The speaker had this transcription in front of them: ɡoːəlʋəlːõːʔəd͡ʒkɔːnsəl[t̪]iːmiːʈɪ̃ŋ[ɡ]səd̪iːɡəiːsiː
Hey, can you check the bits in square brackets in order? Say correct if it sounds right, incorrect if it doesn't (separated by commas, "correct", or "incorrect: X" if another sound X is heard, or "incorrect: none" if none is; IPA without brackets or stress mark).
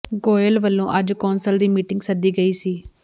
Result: incorrect: d̪, correct